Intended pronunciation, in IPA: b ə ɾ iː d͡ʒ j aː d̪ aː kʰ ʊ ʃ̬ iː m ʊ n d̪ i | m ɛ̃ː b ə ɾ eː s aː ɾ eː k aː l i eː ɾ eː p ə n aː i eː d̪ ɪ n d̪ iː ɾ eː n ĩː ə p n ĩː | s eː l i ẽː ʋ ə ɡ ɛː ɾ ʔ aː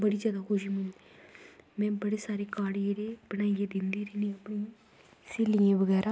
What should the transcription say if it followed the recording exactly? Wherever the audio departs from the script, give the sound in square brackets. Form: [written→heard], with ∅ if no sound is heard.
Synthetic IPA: b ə [ɾ→ɽ] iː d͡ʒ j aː d̪ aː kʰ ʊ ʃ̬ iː m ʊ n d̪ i | m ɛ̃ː b ə [ɾ→ɽ] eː s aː ɾ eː k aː [l→ɽ] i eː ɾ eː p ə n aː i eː d̪ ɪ n d̪ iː ɾ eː n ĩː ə p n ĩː | s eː l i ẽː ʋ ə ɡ ɛː ɾ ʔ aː